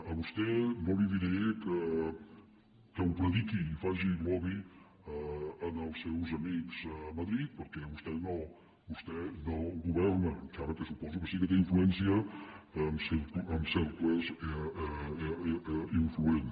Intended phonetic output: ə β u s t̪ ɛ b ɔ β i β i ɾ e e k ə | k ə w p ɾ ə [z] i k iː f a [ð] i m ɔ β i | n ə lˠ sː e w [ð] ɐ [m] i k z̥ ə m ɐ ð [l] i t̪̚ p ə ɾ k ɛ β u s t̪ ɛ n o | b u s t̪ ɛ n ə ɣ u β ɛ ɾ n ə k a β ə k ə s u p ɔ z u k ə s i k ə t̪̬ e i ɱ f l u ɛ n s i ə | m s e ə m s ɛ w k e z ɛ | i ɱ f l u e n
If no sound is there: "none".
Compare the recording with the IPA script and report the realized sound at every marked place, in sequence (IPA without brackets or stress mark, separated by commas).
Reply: ð, ʒ, z, m, ɾ